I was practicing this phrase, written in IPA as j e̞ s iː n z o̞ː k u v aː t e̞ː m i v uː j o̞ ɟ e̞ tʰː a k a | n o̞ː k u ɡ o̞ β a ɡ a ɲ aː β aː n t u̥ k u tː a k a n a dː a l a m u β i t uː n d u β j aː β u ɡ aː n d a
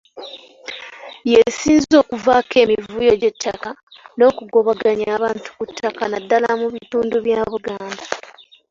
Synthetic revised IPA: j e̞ s iː n z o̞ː k u v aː k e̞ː m i v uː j o̞ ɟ e̞ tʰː a k a | n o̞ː k u ɡ o̞ β a ɡ a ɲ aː β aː n t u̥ k u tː a k a n a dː a l a m u β i t uː n d u β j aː β u ɡ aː n d a